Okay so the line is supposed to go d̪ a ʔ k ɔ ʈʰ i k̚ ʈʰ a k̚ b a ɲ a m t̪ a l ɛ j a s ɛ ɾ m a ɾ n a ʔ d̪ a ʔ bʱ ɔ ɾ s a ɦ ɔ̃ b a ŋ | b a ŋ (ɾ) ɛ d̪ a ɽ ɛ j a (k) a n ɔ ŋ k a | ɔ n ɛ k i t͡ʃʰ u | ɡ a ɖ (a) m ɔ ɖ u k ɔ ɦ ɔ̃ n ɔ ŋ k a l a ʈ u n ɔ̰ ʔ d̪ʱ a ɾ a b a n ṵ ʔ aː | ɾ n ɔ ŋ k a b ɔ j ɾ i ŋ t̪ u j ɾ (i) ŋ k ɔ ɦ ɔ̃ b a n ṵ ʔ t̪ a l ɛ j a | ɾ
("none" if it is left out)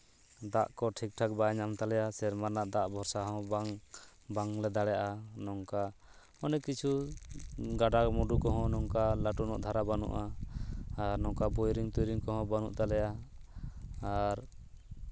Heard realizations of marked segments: l, ʔ, a, i

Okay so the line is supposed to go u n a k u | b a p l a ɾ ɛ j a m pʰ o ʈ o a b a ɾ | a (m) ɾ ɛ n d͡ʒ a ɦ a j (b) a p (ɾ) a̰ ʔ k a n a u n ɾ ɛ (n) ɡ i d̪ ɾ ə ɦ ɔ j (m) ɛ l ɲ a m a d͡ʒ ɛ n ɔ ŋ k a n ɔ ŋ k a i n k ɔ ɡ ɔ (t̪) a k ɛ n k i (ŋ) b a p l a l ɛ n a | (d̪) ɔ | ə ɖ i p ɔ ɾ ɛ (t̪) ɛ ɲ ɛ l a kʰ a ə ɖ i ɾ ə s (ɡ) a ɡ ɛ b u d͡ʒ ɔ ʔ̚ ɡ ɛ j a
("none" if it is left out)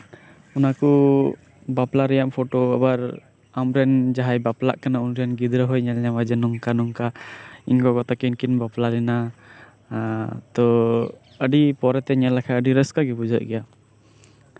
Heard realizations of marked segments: m, b, l, n, ɲ, t̪, n, t̪, t̪, k

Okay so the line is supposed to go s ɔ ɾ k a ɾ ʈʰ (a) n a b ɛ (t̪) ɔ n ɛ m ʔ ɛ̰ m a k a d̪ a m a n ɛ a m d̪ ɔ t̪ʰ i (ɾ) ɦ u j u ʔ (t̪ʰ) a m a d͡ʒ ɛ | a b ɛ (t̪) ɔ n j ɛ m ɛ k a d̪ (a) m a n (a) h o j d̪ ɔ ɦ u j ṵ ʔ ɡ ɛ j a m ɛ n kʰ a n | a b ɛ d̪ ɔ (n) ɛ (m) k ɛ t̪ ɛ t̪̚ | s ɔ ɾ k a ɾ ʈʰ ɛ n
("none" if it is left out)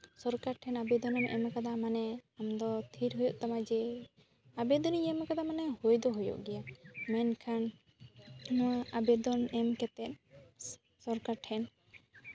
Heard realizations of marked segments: ɛ, d̪, ɾ, t̪, d̪, a, ɛ, n, m

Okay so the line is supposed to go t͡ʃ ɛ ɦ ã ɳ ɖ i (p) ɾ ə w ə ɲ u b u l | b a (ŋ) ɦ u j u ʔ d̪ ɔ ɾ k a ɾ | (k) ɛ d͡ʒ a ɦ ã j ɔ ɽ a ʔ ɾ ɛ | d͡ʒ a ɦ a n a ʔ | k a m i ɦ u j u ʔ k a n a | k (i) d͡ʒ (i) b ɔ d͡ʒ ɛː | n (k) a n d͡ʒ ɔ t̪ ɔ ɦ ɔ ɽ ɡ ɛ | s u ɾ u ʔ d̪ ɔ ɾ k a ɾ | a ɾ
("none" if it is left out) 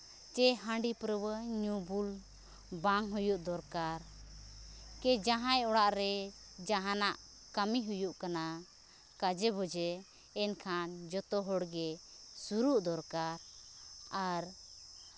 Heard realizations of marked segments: p, ŋ, k, a, ɛ, kʰ

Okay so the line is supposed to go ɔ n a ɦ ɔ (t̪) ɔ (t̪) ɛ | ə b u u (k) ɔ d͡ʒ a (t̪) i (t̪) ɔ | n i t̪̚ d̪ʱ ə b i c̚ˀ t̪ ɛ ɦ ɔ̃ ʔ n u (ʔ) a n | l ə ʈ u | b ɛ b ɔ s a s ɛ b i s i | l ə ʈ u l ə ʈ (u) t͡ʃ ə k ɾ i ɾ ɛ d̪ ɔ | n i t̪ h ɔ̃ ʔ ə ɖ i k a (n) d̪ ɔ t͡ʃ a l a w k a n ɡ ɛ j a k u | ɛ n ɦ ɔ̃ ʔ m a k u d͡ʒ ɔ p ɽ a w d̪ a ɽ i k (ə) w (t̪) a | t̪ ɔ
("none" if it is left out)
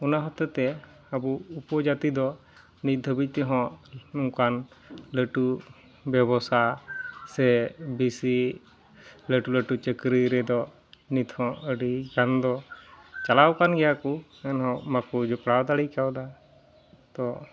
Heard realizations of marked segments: t̪, t̪, p, t̪, d̪, k, u, n, a, d̪

